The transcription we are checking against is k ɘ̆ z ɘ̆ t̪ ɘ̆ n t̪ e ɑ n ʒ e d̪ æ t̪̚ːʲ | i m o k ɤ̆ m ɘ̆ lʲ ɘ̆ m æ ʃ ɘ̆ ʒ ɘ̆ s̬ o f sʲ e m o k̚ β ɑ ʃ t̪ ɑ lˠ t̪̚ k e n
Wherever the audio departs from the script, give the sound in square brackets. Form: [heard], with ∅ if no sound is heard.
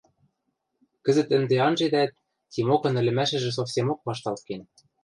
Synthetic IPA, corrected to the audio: k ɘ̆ z ɘ̆ t̪ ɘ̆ n [d̪] e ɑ n ʒ e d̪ æ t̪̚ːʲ | i m o k ɤ̆ [n] ɘ̆ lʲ ɘ̆ m æ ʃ ɘ̆ ʒ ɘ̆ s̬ o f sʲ e m o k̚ β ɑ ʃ t̪ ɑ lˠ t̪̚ k e n